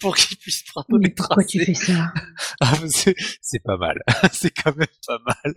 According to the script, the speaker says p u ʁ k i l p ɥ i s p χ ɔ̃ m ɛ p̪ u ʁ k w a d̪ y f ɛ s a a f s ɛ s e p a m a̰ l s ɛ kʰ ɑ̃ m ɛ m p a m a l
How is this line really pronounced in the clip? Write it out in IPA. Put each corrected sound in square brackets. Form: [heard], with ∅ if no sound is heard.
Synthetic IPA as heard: p u ʁ k i l p ɥ i s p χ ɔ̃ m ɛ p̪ u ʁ k w a [t̪] y f ɛ s a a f s ɛ s [ɛ] p a m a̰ l s ɛ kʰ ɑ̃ m ɛ m p a m a l